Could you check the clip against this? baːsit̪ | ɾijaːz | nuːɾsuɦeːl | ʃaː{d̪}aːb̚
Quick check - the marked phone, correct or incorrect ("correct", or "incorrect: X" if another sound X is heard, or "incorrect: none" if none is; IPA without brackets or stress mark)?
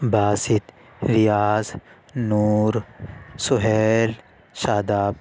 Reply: correct